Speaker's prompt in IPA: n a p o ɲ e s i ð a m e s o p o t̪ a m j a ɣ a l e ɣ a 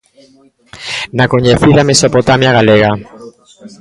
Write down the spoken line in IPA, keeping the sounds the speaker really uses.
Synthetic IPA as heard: n a k o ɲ e θ i ð a m e s o p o t̪ a m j a ɣ a l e ɣ a